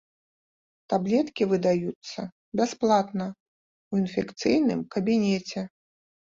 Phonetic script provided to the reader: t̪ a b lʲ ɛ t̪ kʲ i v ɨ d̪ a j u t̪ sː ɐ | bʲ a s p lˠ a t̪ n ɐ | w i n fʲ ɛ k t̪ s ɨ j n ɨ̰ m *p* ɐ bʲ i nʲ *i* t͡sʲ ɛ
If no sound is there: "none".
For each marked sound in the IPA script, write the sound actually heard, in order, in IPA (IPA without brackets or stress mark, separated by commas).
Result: k, ɛ